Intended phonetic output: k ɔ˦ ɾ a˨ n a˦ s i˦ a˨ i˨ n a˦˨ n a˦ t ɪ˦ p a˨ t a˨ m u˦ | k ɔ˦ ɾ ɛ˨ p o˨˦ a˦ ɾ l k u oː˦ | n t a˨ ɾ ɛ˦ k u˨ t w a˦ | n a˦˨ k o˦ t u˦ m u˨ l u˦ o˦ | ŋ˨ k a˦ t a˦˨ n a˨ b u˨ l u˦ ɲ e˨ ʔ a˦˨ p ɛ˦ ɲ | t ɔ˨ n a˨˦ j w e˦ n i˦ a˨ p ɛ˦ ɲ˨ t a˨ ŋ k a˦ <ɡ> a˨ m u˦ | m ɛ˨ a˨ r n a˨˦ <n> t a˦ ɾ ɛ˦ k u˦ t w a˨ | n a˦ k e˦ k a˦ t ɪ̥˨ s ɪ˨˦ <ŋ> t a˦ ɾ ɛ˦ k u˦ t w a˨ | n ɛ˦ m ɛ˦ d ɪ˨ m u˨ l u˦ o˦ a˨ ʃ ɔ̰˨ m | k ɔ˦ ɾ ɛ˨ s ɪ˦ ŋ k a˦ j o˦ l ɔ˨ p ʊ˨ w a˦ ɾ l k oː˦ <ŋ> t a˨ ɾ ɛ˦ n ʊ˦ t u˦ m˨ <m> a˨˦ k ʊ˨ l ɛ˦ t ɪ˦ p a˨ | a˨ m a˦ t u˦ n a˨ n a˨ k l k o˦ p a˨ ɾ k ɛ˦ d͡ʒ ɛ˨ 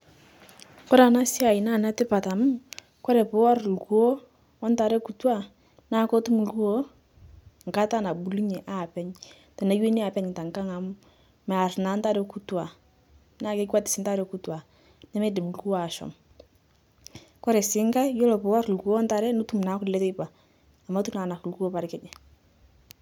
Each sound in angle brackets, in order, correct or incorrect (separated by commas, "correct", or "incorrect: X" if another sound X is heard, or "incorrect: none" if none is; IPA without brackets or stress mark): incorrect: ŋ, correct, incorrect: n, incorrect: n, incorrect: n